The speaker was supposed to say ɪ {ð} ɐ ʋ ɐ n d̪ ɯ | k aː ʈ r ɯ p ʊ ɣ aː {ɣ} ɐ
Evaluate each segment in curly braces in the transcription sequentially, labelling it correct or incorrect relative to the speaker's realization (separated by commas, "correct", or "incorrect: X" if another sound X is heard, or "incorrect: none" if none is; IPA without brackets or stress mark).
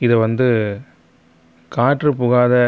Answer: correct, incorrect: ð